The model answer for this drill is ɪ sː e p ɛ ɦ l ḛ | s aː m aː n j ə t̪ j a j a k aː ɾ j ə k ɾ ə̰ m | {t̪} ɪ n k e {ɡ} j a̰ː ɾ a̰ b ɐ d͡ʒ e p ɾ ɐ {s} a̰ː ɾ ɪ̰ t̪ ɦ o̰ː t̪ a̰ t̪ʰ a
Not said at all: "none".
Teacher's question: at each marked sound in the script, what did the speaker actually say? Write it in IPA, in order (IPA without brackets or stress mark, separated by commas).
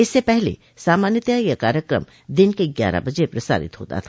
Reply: d̪, ɡ, s